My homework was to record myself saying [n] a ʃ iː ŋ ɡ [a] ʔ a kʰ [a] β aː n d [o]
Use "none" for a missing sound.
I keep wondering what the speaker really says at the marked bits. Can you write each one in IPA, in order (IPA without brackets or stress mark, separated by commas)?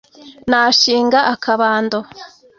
n, a, a, o